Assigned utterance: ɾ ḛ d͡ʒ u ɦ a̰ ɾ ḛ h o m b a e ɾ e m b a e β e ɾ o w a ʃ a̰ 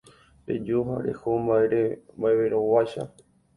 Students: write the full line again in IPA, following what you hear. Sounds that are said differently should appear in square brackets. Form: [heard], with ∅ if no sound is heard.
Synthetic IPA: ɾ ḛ d͡ʒ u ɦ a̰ ɾ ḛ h o m b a e ɾ e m b a e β e ɾ o w a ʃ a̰